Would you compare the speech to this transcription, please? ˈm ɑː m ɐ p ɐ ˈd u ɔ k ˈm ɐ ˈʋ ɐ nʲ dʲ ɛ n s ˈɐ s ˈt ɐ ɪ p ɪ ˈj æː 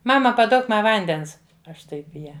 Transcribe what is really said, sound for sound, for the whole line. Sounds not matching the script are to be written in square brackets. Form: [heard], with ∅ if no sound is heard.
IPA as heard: ˈm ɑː m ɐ p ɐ ˈd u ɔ k ˈm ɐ ˈʋ ɐ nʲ dʲ ɛ n s ˈɐ [ʃ] ˈt ɐ ɪ p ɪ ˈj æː